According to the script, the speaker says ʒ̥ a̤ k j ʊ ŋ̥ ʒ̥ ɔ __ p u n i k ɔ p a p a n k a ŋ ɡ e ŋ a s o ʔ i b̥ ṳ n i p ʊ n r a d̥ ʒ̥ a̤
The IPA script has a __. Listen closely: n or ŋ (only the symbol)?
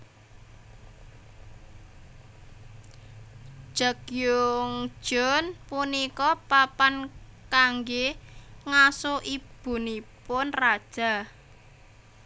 n